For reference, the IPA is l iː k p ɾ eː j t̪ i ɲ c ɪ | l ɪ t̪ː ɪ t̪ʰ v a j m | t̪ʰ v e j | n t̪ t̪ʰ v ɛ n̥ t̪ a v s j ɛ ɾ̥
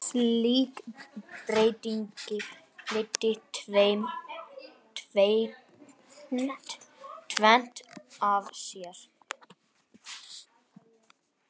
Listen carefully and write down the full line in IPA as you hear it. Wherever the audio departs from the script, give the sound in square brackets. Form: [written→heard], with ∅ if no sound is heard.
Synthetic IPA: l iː k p ɾ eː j t̪ i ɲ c ɪ | l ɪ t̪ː ɪ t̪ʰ v [a→e] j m | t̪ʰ v e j | n t̪ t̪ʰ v ɛ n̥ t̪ a v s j ɛ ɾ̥

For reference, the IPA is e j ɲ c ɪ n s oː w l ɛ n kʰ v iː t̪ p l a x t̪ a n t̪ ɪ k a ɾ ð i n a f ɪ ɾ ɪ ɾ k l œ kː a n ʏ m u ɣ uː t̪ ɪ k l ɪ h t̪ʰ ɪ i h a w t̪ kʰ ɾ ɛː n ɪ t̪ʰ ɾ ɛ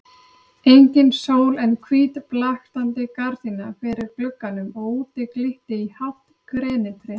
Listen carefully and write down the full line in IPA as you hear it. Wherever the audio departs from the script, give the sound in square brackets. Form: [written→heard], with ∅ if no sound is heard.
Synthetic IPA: e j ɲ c ɪ n s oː w l ɛ n kʰ v iː t̪ p l a x t̪ a n t̪ ɪ k a ɾ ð i n a f ɪ ɾ ɪ ɾ k l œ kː a n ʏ m [u→ɔ] ɣ uː t̪ ɪ k l ɪ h [t̪ʰ→t̪] ɪ i h a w t̪ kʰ ɾ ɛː n ɪ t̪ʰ ɾ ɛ

